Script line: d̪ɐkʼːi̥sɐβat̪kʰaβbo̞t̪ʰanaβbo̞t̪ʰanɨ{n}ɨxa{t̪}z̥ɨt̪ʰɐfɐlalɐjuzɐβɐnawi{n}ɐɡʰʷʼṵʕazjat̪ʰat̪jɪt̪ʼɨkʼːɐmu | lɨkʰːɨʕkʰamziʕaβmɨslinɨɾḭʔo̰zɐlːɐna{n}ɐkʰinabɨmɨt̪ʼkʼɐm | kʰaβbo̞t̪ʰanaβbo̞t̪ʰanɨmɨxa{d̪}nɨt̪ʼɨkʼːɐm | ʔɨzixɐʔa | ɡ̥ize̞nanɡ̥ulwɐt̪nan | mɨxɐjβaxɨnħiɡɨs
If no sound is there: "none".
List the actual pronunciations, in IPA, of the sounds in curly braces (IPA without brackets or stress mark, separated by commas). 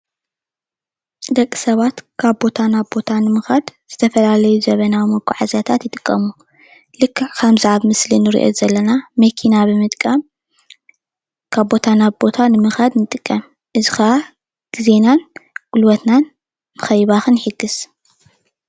m, d̪, m, m, d̪